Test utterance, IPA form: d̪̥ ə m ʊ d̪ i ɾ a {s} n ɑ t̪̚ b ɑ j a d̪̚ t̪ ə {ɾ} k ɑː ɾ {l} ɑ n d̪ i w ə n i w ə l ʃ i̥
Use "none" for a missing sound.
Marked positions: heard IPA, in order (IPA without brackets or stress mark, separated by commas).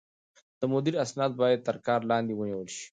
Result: s, ɾ, l